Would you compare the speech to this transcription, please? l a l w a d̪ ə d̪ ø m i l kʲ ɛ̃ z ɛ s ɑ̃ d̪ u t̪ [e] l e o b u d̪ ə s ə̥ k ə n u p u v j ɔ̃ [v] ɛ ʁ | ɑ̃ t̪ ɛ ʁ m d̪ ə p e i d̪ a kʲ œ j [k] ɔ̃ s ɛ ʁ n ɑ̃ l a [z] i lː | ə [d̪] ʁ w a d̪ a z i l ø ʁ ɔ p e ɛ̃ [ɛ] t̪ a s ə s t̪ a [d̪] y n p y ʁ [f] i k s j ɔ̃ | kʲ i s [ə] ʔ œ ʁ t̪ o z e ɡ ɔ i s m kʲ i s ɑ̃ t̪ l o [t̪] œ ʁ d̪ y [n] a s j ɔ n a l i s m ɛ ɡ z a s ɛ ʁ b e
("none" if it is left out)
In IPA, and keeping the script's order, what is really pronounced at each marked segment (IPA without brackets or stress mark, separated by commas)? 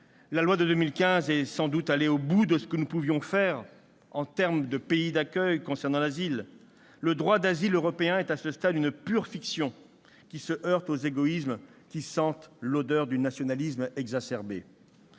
a, f, k, z, d̪, ɛ, d̪, f, ə, d̪, n